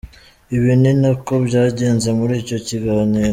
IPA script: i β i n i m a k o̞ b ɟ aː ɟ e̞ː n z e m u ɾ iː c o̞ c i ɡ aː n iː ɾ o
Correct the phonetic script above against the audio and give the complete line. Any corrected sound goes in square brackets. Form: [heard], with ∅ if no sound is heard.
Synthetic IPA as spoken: i β i n i [n] a k o̞ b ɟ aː ɟ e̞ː n z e m u ɾ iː c o̞ c i ɡ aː n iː ɾ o